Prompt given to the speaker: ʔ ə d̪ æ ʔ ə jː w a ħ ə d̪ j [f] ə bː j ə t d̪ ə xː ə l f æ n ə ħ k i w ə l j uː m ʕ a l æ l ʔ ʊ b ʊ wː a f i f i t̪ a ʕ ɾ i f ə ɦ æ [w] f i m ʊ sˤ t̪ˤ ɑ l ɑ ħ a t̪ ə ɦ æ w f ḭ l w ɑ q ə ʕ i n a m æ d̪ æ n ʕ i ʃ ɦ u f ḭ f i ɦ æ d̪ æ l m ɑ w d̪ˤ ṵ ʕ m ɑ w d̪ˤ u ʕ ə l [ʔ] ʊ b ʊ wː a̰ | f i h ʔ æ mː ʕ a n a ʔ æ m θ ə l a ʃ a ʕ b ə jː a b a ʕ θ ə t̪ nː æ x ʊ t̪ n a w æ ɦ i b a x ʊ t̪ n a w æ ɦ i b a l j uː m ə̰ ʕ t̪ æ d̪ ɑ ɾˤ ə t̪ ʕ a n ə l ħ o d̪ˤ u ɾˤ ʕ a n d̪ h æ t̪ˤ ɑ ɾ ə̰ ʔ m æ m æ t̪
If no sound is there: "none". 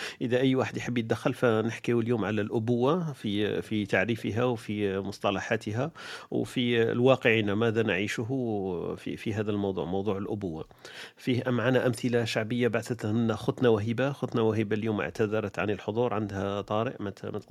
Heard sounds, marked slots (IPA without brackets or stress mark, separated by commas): ħ, w, ʔ